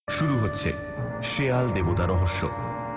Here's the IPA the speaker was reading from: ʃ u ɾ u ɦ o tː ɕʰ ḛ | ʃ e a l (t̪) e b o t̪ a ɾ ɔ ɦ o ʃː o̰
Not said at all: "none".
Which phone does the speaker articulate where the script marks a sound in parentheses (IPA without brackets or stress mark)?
d̪